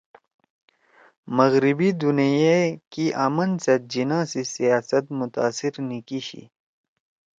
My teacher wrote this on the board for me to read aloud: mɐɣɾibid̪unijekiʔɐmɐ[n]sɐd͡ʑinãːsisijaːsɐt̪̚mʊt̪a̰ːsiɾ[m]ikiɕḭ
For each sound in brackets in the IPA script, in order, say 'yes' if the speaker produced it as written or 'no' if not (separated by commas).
yes, no